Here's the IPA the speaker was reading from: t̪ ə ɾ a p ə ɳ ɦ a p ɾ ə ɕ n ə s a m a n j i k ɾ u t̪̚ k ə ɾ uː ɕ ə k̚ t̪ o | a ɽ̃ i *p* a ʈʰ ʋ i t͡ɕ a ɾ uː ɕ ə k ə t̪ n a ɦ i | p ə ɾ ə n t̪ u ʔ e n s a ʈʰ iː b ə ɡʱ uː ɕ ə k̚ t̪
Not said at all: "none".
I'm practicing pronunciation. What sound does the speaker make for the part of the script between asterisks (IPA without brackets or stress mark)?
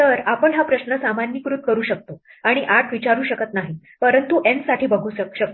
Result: ʔ